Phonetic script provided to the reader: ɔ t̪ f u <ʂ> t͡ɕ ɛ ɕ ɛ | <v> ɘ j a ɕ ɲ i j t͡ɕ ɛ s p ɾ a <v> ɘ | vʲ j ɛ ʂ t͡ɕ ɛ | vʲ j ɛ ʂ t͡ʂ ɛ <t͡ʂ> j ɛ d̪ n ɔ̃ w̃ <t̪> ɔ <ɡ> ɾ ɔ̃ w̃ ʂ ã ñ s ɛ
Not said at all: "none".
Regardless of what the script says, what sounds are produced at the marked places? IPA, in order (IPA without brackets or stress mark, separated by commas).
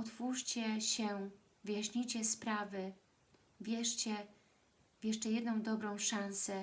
ʂ, v, v, none, d̪, b